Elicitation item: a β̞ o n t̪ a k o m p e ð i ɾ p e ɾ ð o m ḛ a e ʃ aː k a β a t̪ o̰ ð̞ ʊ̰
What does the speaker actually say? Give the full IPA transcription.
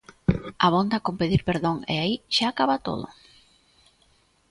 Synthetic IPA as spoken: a β̞ o n d̪ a k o m p e ð i ɾ p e ɾ ð o ŋ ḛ a i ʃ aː k a β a t̪ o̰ ð̞ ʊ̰